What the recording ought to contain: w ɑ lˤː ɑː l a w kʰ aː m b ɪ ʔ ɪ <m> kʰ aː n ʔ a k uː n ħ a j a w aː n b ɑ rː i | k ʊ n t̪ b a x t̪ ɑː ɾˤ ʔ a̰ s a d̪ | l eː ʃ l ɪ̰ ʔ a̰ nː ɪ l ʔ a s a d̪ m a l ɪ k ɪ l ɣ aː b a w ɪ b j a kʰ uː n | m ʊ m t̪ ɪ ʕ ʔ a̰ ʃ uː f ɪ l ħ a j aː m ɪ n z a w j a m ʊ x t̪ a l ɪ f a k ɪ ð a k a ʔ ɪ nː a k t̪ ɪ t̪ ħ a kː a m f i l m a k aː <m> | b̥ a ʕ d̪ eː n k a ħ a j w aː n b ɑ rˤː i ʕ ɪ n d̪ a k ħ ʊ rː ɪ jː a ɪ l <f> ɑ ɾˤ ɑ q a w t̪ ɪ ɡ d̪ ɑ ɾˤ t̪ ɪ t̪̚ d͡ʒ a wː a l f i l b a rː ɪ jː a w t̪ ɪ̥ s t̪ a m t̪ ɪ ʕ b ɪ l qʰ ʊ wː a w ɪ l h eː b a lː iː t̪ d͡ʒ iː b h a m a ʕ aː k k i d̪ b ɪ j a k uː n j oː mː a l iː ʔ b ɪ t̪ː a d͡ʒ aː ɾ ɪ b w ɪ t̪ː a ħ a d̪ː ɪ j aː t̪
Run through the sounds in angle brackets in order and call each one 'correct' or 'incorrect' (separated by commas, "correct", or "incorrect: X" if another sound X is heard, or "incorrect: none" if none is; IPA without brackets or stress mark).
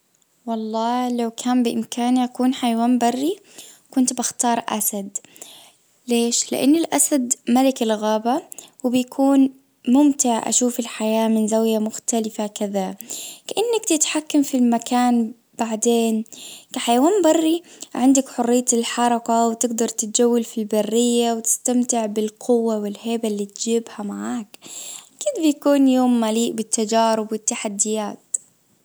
correct, incorrect: n, incorrect: ħ